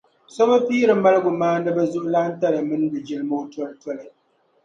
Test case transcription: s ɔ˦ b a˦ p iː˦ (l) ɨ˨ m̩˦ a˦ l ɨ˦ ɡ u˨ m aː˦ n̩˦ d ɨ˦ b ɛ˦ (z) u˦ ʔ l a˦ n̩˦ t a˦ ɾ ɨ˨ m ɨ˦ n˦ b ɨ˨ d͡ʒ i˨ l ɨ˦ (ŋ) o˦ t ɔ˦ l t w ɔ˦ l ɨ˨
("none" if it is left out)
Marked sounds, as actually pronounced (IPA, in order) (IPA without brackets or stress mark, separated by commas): ɾ, z, m